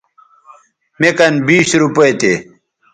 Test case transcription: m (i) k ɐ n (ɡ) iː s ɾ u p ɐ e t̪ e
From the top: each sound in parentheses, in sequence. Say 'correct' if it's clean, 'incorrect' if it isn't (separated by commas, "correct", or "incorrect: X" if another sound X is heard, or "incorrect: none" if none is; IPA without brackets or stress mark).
incorrect: e, incorrect: b